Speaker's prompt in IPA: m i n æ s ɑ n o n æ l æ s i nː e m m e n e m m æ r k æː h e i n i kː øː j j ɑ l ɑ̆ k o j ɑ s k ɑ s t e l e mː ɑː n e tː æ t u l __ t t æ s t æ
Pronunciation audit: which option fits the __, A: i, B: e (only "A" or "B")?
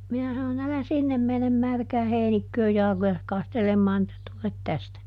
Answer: B